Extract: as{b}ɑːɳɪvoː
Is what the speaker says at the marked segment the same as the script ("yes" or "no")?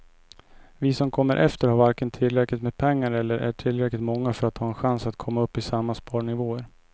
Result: no